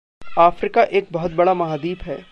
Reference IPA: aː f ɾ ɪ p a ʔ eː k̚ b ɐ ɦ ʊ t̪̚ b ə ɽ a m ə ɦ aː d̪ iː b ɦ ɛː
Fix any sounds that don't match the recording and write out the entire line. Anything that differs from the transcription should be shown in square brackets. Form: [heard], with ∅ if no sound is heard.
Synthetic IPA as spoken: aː f ɾ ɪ [k] a ʔ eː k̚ b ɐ ɦ ʊ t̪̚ b [ɐ] ɽ a m [ɐ] ɦ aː d̪ iː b ɦ ɛː